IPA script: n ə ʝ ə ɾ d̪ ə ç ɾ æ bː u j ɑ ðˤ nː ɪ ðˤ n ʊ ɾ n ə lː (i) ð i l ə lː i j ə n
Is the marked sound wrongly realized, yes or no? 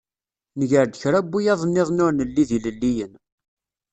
no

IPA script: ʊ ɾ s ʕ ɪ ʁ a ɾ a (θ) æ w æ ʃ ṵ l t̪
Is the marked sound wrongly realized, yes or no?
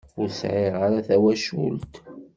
no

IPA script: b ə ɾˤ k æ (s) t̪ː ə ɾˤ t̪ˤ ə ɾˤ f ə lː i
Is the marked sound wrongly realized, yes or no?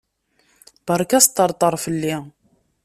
no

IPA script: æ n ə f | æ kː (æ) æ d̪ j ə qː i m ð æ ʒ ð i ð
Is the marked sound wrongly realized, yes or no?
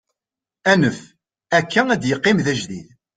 no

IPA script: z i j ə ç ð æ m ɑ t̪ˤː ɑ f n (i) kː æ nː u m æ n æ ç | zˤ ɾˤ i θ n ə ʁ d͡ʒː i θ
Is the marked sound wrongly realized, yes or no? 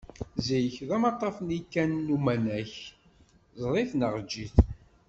no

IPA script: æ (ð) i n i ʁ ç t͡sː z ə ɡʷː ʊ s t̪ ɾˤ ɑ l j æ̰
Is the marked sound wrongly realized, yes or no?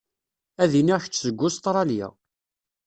no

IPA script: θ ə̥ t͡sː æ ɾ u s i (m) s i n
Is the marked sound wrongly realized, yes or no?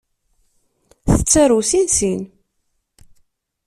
yes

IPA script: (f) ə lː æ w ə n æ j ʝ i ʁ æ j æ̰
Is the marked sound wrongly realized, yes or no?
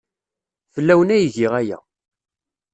no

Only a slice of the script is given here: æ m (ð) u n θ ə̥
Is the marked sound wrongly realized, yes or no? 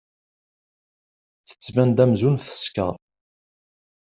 yes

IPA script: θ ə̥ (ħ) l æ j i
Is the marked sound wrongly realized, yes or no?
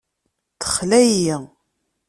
yes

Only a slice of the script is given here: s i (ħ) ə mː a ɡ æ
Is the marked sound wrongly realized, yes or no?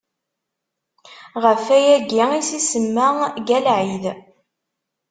yes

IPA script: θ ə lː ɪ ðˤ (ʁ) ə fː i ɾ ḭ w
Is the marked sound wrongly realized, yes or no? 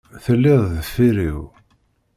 yes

